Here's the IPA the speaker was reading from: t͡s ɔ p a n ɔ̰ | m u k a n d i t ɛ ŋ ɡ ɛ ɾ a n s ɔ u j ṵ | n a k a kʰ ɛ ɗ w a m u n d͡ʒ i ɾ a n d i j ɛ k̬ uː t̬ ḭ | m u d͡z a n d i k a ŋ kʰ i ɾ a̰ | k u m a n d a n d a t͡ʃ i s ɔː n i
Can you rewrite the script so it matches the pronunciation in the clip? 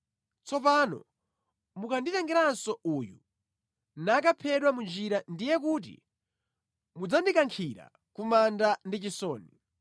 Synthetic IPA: t͡s ɔ p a n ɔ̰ | m u k a n d i t ɛ ŋ ɡ ɛ ɾ a n s ɔ u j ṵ | n a k a pʰ ɛ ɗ w a m u n d͡ʒ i ɾ a n d i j ɛ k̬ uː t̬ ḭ | m u d͡z a n d i k a ŋ kʰ i ɾ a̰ | k u m a n d a n d i t͡ʃ i s ɔː n i